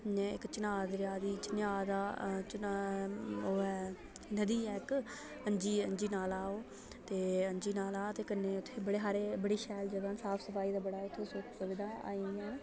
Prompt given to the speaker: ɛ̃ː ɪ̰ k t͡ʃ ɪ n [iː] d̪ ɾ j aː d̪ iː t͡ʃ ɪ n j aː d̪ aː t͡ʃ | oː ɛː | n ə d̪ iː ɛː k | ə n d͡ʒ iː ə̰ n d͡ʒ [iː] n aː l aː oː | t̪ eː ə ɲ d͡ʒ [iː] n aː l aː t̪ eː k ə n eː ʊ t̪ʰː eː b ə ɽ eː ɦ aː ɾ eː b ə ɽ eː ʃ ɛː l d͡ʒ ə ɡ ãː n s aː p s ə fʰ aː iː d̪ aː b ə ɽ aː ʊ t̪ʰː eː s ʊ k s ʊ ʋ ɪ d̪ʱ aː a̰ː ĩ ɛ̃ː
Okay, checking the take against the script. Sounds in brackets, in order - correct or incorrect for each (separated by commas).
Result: incorrect, correct, correct